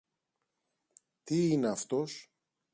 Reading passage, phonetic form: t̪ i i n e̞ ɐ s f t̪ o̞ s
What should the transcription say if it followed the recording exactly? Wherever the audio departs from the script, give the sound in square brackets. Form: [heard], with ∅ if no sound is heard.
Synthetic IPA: t̪ i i n e̞ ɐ [∅] f t̪ o̞ s